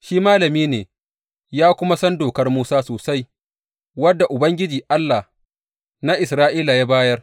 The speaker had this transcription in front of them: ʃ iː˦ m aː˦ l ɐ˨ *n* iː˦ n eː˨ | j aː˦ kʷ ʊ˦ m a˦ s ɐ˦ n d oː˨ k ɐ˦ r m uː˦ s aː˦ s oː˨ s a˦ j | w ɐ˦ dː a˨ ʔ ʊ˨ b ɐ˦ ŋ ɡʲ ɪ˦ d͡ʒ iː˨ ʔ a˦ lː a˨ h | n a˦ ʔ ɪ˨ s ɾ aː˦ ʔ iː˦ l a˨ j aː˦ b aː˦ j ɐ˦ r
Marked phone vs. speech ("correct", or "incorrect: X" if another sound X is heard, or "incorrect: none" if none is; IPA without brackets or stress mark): incorrect: m